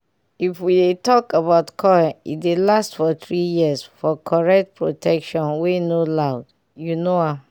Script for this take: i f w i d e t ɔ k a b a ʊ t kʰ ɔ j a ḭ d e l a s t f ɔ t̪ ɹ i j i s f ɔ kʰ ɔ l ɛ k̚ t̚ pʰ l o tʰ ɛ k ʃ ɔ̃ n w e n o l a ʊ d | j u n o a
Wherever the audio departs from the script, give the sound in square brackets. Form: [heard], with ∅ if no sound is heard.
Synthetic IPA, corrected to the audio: i f w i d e t ɔ k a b a ʊ t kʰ ɔ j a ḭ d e l a s t f ɔ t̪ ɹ i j i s f ɔ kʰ ɔ [ɹ] ɛ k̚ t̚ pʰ [ɹ] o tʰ ɛ k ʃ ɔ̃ n w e n o l a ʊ d | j u n o a